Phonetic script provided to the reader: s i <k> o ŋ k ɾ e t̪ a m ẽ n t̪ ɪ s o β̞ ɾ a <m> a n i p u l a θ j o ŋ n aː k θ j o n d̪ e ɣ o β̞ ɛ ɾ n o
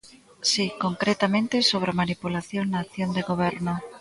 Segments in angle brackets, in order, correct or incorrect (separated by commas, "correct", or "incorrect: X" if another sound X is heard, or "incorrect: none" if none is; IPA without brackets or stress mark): correct, correct